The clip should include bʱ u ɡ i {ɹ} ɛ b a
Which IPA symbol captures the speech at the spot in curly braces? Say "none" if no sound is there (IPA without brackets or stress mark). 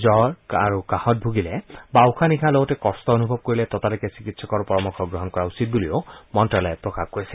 l